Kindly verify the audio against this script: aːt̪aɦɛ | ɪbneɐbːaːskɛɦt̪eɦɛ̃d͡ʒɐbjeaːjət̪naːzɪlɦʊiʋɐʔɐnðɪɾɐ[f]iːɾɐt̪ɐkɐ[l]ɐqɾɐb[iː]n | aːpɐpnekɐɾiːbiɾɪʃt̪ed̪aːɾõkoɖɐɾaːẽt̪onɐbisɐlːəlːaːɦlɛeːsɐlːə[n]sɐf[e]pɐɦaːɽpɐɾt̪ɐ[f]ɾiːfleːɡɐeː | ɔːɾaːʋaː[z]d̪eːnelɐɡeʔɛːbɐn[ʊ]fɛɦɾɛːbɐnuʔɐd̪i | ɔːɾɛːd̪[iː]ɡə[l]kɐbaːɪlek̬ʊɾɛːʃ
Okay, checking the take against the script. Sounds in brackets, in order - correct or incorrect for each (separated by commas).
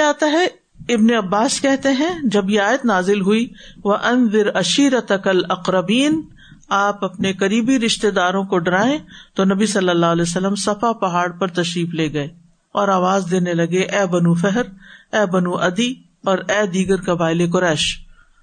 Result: incorrect, correct, correct, incorrect, incorrect, incorrect, correct, incorrect, correct, incorrect